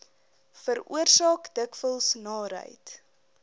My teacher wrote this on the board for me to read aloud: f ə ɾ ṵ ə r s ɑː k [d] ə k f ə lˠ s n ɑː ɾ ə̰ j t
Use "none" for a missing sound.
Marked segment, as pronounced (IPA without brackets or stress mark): d